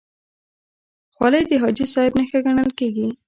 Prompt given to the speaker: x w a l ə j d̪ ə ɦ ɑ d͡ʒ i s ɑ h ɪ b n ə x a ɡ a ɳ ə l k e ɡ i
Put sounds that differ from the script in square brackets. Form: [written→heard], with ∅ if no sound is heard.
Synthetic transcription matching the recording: x w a l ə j d̪ ə ɦ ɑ d͡ʒ i s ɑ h ɪ b n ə x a ɡ a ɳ ə l k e ɡ i